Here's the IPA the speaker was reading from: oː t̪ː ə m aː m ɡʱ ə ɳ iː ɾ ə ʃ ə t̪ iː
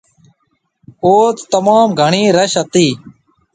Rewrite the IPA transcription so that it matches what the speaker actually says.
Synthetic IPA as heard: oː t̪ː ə m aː m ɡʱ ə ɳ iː ɾ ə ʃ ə t̪ iː